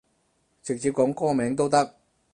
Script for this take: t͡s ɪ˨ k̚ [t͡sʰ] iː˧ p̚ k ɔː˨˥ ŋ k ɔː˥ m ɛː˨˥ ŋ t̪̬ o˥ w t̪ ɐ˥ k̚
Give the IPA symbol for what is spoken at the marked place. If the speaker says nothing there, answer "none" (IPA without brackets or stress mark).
t͡s